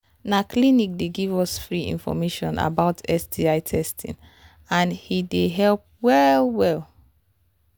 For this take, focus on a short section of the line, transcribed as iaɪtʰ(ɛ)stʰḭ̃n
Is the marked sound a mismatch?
no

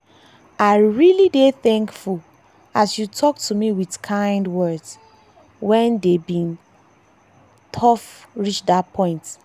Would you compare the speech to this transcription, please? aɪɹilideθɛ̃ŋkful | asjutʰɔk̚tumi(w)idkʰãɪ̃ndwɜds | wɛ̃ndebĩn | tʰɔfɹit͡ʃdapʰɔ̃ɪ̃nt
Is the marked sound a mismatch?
no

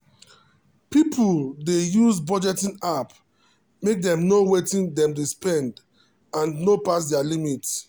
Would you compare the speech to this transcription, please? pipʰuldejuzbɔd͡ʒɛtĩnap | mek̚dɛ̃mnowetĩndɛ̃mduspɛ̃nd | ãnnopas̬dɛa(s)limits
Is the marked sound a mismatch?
yes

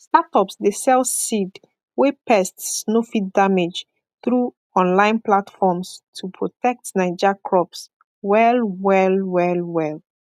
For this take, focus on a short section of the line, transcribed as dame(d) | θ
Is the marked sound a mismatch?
yes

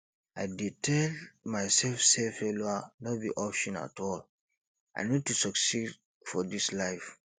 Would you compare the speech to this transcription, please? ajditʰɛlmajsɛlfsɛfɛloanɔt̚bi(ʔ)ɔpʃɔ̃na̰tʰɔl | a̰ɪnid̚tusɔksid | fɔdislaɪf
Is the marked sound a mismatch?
no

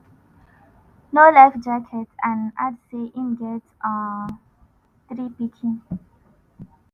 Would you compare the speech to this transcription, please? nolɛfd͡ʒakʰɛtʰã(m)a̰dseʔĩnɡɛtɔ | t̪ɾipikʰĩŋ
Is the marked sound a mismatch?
yes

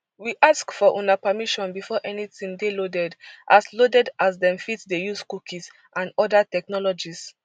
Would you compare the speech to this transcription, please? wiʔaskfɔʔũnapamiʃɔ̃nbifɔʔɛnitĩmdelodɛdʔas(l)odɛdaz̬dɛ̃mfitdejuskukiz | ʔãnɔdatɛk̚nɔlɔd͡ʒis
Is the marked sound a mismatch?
no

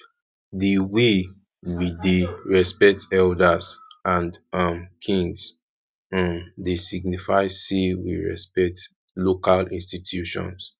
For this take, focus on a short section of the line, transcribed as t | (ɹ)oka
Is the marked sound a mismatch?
yes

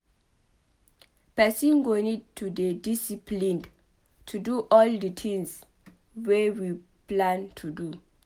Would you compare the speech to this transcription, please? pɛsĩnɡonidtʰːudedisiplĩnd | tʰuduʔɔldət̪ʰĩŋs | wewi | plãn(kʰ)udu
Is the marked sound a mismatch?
yes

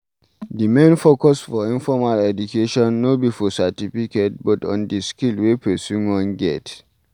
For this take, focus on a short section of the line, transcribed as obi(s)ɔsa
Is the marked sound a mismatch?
yes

